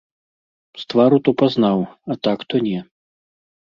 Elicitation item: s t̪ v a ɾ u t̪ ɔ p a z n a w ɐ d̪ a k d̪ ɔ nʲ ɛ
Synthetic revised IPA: s t̪ v a ɾ u t̪ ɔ p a z n a w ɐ t̪ a k t̪ ɔ nʲ ɛ